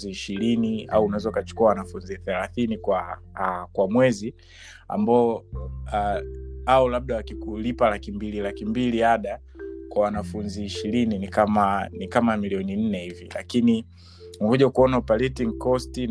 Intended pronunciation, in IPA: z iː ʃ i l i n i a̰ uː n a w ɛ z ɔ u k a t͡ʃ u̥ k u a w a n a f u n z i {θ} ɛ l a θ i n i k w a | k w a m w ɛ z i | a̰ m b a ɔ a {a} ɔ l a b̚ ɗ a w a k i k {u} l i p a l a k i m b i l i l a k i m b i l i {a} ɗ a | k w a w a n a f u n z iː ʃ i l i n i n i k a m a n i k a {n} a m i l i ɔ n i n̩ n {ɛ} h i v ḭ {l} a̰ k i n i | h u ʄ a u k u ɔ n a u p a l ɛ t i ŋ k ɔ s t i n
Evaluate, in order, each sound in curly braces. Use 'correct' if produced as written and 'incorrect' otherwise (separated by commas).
correct, correct, correct, correct, incorrect, correct, correct